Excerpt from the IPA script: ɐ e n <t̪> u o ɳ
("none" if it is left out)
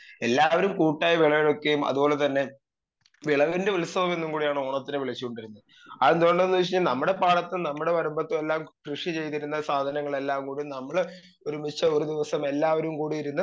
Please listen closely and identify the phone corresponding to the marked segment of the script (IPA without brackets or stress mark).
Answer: d̪